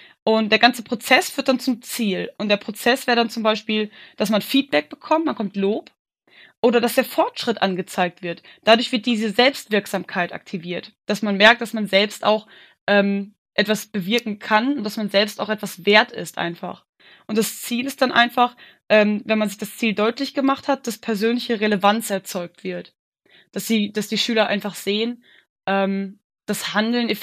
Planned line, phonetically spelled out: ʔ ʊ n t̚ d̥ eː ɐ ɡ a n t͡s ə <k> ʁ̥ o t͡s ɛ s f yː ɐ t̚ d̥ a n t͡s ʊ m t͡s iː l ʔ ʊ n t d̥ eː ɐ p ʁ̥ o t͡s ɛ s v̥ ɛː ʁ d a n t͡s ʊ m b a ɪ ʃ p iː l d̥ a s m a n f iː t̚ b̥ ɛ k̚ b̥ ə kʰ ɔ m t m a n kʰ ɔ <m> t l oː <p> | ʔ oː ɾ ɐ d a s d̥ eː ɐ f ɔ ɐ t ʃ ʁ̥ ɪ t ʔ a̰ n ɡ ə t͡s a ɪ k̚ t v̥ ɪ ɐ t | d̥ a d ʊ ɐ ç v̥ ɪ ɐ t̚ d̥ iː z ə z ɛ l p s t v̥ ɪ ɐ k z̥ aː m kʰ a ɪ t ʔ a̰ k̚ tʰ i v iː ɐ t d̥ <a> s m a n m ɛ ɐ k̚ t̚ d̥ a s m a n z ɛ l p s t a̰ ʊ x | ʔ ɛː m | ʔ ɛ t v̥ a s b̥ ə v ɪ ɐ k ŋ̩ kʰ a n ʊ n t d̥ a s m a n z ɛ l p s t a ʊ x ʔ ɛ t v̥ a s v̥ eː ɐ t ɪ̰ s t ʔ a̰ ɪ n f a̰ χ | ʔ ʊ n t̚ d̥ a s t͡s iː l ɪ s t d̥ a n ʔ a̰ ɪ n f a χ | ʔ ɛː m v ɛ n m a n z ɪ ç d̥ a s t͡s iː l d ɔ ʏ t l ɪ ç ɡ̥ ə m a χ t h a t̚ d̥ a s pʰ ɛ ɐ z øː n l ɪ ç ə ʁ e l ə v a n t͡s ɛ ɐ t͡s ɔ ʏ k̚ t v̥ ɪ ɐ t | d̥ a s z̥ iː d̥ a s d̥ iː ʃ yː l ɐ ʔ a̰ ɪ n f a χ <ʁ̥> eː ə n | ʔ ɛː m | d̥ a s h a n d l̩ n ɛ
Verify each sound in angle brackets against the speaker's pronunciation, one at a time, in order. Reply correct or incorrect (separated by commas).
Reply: incorrect, correct, correct, correct, incorrect